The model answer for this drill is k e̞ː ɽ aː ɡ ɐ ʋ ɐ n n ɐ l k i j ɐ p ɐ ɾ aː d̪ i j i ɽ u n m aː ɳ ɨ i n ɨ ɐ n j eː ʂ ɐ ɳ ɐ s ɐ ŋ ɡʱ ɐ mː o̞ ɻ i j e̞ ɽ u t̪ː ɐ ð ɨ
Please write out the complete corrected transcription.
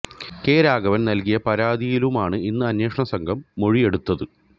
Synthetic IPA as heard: k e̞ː ɾ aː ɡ ɐ ʋ ɐ n n ɐ l k i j ɐ p ɐ ɾ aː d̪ i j i l u m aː ɳ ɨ i nː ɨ ɐ n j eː ʂ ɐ ɳ ɐ s ɐ ŋ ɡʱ ɐ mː o̞ ɻ i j e̞ ɽ u t̪ː ɐ ð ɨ